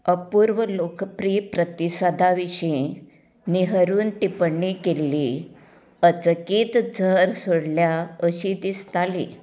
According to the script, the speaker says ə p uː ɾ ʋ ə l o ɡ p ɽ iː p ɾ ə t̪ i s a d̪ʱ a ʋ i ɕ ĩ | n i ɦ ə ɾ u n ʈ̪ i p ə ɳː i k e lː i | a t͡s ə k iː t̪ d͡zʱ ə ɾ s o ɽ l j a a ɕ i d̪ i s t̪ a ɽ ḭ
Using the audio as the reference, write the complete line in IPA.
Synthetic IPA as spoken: ə p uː ɾ ʋ ə l o k p ɾ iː p ɾ ə t̪ i s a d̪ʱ a ʋ i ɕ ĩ | n i ɦ ə ɾ uː n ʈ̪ i p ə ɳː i k e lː i | ə t͡s ə k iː t̪ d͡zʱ ə ɾ s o ɽ l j a ə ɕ i d̪ i s t̪ a l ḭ